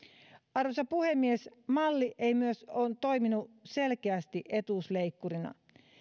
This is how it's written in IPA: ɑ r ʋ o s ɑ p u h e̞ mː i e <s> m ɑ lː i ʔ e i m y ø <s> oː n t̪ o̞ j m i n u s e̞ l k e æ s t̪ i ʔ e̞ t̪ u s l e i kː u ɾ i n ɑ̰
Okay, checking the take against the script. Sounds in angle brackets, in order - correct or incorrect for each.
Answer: correct, correct

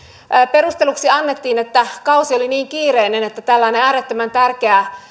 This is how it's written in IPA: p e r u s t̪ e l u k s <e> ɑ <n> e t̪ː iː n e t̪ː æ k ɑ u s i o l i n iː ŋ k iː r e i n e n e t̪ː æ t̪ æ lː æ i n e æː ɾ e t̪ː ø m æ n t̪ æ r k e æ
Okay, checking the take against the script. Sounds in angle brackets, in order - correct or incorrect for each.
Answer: incorrect, incorrect

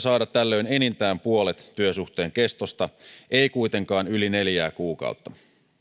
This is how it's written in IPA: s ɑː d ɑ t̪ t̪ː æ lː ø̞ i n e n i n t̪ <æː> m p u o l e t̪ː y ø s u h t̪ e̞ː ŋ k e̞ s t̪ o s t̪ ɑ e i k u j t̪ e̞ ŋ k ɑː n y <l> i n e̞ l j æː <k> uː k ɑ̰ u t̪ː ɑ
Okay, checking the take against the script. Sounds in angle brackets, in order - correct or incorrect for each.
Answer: correct, correct, correct

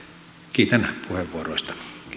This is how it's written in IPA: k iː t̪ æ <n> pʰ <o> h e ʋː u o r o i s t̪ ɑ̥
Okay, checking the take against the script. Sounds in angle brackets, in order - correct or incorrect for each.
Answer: correct, incorrect

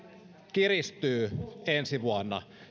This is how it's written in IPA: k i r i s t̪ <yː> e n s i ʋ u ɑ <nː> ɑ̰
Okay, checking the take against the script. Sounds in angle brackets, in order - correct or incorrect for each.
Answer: correct, correct

